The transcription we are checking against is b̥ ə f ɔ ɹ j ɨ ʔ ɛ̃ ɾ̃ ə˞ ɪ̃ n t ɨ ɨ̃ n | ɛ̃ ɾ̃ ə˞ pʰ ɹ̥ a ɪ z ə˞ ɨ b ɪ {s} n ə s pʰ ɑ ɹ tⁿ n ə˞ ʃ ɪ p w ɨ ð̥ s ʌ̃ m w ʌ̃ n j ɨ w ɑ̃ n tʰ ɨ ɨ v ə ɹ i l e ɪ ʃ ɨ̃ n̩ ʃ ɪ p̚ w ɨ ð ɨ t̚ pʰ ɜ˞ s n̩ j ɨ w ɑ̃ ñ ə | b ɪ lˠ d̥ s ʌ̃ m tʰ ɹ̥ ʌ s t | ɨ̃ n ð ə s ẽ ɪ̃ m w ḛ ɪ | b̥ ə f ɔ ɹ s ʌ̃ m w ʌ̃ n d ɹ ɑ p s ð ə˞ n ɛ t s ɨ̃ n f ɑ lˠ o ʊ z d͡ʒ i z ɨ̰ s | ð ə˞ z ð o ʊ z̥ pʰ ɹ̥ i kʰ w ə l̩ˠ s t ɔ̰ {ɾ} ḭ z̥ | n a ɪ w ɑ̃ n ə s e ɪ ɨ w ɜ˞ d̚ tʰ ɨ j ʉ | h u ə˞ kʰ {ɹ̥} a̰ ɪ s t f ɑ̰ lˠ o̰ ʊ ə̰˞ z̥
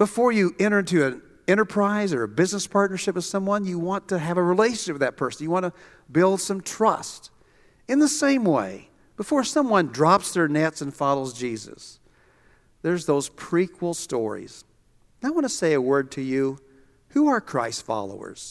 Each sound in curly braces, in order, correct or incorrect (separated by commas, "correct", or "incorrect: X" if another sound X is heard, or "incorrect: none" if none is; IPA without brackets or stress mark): incorrect: z, incorrect: ɹ, correct